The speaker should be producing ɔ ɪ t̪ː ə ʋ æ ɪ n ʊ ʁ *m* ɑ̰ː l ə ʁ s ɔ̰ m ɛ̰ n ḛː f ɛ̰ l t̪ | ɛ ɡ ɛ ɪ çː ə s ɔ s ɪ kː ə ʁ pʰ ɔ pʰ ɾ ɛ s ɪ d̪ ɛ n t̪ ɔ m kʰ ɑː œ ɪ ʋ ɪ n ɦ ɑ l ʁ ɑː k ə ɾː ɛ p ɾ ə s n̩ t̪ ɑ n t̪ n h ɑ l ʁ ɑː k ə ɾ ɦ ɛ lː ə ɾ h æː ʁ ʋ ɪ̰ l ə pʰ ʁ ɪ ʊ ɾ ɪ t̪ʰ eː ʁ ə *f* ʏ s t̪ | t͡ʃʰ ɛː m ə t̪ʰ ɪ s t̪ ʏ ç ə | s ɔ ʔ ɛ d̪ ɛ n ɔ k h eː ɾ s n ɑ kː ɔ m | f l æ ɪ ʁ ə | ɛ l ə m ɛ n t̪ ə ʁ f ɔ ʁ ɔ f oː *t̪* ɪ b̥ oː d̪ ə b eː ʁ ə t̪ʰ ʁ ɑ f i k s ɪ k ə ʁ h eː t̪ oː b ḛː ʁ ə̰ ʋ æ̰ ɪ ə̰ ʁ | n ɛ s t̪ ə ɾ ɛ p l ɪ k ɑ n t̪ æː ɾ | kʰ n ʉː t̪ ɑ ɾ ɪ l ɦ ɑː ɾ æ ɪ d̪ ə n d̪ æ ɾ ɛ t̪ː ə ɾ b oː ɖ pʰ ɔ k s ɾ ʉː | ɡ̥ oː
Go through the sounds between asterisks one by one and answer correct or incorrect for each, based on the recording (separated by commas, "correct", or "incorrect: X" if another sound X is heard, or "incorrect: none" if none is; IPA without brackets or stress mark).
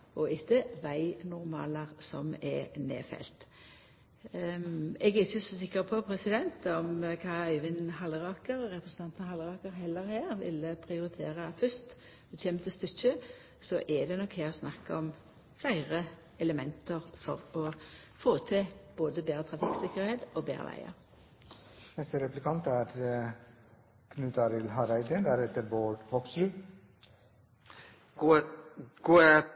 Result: correct, correct, incorrect: t̪ʰ